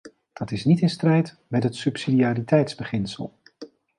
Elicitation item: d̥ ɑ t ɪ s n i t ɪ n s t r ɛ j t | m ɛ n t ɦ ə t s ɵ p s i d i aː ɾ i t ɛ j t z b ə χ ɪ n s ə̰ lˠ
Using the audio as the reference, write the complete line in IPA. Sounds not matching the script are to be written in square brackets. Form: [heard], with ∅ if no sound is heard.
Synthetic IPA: d̥ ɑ t ɪ s n i t ɪ n s t r ɛ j t | m ɛ [∅] t ɦ ə t s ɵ p s i d i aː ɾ i t ɛ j t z b ə χ ɪ n s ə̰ lˠ